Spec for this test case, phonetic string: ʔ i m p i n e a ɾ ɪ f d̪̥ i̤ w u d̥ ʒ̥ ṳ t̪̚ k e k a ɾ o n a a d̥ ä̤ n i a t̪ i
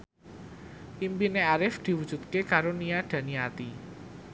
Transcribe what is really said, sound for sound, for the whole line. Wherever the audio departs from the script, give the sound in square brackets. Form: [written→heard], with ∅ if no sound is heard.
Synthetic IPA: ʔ i m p i n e a ɾ ɪ f d̪̥ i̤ w u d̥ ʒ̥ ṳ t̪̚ k e k a ɾ o n [a→i] a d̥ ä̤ n i a t̪ i